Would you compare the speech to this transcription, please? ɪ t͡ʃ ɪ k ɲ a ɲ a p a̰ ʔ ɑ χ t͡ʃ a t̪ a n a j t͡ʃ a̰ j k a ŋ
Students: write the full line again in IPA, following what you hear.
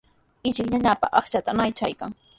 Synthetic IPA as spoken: ɪ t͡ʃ ɪ k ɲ a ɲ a p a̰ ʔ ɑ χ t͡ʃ a t̪ a n a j t͡ʃ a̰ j k a ŋ